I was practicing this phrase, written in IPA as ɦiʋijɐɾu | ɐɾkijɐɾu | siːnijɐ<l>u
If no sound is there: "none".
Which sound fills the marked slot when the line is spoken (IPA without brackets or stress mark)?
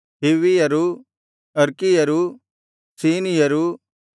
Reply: ɾ